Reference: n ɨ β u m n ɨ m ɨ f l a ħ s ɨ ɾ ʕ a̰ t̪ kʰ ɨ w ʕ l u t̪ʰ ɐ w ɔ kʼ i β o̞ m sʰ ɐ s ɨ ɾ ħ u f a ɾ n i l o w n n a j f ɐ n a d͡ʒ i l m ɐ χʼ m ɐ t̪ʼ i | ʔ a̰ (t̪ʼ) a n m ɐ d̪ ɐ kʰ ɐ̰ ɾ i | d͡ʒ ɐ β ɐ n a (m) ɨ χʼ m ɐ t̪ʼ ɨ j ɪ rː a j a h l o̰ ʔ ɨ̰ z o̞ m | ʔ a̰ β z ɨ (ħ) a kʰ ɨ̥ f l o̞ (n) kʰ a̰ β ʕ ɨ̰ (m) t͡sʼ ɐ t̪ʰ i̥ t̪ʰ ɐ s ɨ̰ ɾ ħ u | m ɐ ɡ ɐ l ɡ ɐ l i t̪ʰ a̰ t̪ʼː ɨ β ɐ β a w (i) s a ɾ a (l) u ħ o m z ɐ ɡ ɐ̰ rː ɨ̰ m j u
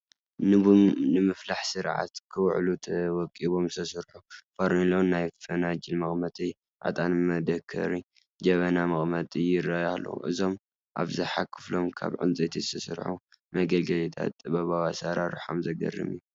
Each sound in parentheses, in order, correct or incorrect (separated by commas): correct, correct, correct, incorrect, incorrect, incorrect, incorrect